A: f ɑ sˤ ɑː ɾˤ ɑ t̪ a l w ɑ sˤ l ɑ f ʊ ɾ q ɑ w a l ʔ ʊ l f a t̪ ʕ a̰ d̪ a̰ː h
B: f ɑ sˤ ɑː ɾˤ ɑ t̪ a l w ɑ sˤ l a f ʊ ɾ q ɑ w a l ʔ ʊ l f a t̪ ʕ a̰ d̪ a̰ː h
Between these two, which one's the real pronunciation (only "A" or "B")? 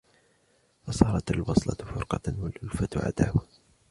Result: A